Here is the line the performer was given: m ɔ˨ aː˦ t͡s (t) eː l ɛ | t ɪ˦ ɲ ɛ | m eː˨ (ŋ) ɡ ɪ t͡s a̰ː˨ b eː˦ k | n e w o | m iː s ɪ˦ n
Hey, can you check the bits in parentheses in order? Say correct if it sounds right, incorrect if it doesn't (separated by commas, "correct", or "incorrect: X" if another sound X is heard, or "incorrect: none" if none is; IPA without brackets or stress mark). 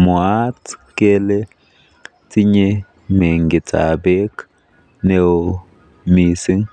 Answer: incorrect: k, correct